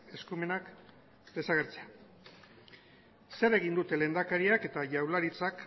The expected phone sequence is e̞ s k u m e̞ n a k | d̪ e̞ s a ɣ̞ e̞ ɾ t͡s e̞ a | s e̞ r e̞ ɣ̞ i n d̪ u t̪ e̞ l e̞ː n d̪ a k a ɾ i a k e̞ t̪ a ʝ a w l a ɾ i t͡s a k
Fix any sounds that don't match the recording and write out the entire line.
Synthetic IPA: e̞ s k u m e̞ n a k | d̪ e̞ s a ɣ̞ e̞ ɾ t͡s e̞ a | s e̞ ɾ e̞ ɣ̞ i n d̪ u t̪ e̞ l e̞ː n d̪ a k a ɾ i a k e̞ t̪ a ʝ a w l a ɾ i t͡s a k